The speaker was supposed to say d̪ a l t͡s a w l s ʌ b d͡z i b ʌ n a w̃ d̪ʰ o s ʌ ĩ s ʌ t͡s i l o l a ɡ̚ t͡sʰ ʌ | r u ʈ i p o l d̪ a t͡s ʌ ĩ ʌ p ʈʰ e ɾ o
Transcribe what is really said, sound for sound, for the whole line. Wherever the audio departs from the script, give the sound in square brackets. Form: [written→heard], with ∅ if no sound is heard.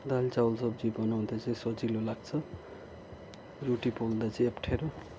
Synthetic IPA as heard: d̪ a l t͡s a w l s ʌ b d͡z i b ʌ n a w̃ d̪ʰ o [s→t͡s] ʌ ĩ s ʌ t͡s i l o l a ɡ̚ t͡sʰ ʌ | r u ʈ i p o l d̪ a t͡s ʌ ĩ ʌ p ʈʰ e ɾ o